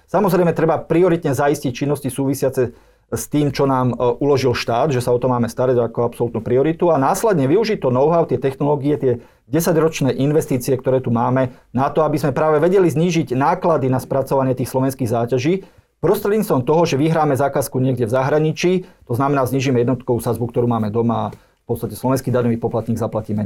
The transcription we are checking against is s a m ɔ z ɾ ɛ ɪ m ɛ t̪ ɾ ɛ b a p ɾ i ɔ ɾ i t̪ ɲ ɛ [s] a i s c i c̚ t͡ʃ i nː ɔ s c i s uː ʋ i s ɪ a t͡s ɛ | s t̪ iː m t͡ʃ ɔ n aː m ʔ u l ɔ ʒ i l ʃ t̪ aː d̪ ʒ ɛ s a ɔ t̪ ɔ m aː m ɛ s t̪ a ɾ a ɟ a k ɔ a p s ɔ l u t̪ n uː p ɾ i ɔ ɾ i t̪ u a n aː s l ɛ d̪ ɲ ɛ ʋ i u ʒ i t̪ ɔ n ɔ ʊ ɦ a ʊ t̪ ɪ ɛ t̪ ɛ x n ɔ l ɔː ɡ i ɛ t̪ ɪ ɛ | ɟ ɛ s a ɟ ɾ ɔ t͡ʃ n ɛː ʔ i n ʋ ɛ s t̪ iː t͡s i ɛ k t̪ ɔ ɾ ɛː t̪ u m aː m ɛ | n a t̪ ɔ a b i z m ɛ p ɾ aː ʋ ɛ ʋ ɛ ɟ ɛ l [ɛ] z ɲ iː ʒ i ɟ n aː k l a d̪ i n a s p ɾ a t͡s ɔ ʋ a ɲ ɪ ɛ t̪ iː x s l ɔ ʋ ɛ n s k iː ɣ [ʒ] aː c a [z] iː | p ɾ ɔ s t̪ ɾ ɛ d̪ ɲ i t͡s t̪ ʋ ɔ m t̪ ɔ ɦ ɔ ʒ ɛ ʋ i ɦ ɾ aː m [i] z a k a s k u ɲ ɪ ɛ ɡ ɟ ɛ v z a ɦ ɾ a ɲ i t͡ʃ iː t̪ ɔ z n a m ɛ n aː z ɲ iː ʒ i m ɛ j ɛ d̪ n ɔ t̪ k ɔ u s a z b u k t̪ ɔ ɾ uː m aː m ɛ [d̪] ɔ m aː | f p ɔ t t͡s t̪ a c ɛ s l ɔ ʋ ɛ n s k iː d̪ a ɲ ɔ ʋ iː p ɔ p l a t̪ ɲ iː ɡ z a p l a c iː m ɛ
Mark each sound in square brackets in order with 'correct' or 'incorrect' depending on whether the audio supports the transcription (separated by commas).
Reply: incorrect, incorrect, incorrect, incorrect, incorrect, correct